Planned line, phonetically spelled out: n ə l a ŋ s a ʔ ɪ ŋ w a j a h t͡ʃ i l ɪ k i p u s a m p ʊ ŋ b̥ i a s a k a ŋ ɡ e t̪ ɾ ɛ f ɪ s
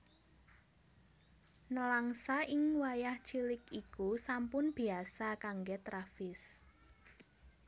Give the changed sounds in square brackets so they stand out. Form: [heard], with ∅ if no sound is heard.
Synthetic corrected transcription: n ə l a ŋ s a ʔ ɪ ŋ w a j a h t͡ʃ i l ɪ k i [k] u s a m p ʊ [n] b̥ i a s a k a ŋ ɡ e t̪ ɾ [a] f ɪ s